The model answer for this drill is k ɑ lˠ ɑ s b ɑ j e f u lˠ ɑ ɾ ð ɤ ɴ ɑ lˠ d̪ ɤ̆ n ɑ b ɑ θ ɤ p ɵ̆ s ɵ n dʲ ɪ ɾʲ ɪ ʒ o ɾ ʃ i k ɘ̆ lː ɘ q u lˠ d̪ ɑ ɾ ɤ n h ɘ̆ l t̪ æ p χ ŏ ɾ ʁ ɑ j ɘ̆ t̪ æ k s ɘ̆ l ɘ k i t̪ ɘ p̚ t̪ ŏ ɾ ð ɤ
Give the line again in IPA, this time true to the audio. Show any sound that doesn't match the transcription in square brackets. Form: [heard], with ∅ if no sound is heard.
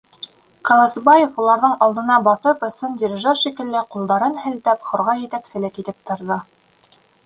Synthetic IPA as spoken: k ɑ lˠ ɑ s b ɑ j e f u lˠ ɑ ɾ ð ɤ ɴ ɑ lˠ d̪ ɤ̆ n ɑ b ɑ θ ɤ p ɵ̆ s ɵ n dʲ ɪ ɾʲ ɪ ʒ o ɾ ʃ i k ɘ̆ lː ɘ q u lˠ d̪ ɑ ɾ ɤ n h ɘ̆ l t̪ æ p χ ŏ ɾ ʁ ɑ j ɘ̆ t̪ æ k s ɘ̆ l ɘ k i t̪ ɘ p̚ t̪ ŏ ɾ ð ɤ